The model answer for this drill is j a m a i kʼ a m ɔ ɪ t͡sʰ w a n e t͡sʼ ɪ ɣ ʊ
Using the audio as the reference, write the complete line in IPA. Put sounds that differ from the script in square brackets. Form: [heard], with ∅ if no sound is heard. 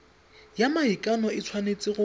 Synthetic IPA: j a m a i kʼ a [n] ɔ ɪ t͡sʰ w a n e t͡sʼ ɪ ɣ ʊ